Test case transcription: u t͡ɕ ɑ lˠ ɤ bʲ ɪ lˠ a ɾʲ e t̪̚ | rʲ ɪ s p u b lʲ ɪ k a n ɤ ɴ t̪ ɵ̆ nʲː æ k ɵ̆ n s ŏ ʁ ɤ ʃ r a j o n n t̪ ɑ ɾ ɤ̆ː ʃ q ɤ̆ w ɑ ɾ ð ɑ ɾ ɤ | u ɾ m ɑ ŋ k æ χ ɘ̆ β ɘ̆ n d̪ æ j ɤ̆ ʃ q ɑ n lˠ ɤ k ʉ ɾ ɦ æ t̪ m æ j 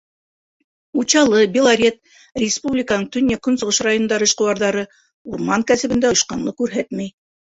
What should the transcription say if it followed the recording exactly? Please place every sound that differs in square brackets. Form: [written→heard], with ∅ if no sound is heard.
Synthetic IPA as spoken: u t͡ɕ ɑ lˠ ɤ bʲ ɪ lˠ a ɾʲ e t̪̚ | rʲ ɪ s p u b lʲ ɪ k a n ɤ ɴ t̪ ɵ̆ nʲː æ k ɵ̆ n s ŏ ʁ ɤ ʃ r a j o n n [t̪→d̪] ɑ ɾ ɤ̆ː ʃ q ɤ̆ w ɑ ɾ ð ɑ ɾ ɤ | u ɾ m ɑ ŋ k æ [χ→s] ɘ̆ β ɘ̆ n d̪ æ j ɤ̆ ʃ q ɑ n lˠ ɤ k ʉ ɾ ɦ æ t̪ m æ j